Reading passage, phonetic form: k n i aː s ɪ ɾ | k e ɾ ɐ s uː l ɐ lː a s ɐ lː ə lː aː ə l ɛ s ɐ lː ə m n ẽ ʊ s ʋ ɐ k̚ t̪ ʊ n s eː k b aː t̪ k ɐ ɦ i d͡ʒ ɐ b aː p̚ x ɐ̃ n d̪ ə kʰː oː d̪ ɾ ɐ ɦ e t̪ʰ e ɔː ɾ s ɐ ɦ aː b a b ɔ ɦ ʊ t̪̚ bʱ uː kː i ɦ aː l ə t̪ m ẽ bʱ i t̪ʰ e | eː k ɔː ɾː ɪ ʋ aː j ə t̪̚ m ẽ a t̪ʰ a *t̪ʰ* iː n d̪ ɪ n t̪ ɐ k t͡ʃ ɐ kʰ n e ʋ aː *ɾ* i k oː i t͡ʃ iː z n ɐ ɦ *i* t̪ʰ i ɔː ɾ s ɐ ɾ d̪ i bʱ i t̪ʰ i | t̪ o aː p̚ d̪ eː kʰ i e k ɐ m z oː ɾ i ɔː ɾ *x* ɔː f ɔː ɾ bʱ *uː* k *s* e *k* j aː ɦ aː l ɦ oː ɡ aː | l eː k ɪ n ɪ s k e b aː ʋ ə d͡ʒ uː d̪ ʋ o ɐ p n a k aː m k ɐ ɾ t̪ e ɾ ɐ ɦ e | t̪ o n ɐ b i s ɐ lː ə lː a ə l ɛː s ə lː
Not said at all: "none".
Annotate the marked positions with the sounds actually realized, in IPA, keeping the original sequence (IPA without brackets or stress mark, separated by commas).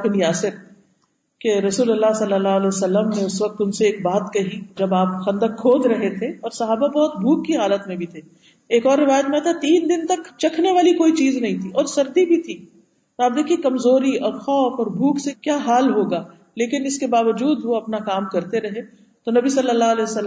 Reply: t̪, l, ĩ, x, uː, s, k